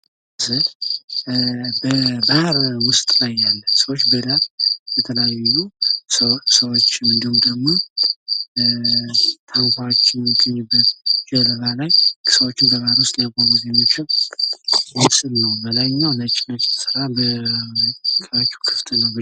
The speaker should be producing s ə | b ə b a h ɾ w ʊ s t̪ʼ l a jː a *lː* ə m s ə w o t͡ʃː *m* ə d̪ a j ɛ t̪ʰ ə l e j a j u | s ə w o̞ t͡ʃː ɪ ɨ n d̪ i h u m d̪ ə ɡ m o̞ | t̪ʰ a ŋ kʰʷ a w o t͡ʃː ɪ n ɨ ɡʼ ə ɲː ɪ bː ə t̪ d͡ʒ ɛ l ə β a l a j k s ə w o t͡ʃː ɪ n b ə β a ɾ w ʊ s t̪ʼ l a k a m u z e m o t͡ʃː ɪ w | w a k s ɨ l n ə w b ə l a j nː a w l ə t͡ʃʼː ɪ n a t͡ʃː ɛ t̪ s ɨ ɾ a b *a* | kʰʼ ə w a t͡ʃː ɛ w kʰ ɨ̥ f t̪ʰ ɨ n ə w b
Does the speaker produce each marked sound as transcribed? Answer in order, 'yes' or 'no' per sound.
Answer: yes, no, no

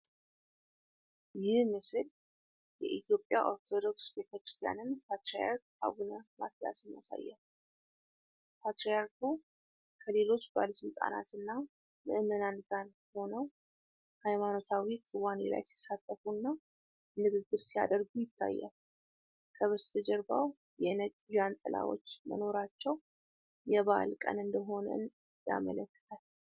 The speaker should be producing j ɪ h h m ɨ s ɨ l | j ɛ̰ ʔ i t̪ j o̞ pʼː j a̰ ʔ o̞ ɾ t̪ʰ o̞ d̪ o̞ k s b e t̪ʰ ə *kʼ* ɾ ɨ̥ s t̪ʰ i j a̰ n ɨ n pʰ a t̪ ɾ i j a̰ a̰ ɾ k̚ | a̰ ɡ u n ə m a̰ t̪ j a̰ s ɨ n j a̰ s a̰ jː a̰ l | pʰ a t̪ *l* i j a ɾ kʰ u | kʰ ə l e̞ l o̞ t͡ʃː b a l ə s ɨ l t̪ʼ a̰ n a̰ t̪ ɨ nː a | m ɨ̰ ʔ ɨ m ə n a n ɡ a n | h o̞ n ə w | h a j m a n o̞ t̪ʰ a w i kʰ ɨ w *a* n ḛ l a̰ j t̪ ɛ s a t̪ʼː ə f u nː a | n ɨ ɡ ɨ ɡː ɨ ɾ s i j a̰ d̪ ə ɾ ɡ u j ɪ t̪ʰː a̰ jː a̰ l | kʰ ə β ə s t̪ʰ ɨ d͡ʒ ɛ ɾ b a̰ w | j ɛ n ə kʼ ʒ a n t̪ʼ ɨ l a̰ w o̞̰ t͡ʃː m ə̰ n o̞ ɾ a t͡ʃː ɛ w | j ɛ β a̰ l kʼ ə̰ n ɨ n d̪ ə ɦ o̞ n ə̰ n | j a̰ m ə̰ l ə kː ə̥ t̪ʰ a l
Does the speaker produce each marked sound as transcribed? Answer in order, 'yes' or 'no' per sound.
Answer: no, no, yes

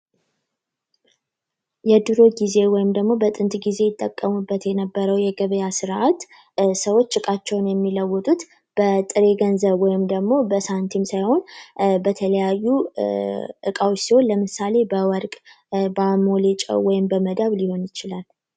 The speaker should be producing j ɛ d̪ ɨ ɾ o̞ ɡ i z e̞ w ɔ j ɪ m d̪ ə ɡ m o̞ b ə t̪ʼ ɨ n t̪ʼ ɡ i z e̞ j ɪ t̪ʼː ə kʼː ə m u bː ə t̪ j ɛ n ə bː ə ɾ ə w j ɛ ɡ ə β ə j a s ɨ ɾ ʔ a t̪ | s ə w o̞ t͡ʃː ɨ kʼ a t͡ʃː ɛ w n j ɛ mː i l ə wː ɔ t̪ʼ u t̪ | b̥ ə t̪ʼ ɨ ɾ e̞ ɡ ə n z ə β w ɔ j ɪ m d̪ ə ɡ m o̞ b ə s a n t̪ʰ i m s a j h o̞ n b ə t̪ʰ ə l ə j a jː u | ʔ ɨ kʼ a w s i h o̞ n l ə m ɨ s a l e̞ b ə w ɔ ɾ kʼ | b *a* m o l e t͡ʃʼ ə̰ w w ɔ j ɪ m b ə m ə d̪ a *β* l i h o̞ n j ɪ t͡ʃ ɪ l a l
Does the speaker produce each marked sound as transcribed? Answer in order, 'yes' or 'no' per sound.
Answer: yes, yes

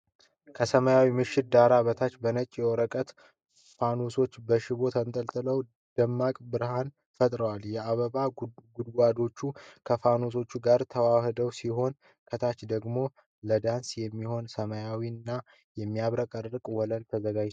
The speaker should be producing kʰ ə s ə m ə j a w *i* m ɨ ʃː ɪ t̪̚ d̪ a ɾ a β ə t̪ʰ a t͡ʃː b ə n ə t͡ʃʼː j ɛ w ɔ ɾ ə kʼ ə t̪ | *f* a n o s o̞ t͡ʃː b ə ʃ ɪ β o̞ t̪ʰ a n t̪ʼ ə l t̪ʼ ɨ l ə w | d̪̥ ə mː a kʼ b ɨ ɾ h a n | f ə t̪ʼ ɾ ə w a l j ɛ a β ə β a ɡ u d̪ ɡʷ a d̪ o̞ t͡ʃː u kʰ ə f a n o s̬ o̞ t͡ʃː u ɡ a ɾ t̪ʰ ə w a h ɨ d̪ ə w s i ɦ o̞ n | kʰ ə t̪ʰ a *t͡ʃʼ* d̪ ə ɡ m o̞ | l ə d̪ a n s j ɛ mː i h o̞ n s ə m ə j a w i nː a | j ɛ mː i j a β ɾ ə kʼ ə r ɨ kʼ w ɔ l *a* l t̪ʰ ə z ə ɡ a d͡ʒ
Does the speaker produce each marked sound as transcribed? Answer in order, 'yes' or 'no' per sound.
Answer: yes, yes, no, no

